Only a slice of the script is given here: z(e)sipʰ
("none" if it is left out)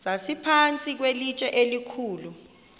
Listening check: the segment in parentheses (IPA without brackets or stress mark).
a